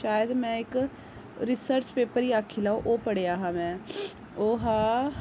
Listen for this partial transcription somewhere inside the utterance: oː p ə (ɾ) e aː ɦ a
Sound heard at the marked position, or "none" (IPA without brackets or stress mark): ɽ